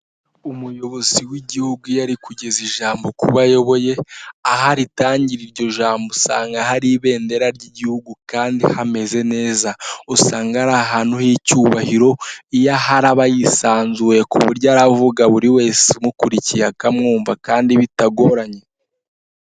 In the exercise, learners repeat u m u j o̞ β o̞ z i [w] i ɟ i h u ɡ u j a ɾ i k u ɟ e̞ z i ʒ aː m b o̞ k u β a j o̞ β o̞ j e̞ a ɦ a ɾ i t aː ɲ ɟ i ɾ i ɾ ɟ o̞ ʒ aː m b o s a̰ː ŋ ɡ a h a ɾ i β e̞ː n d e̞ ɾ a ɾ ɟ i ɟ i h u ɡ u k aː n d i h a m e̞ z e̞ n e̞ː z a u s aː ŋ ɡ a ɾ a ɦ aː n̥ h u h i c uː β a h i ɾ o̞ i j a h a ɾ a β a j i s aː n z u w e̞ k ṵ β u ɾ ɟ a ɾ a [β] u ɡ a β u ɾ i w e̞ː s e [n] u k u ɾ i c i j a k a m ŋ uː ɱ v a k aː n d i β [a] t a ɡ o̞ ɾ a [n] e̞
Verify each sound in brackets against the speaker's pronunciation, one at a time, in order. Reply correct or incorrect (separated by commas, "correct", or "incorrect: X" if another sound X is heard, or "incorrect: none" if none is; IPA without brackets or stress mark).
correct, incorrect: v, incorrect: m, incorrect: i, incorrect: ɲ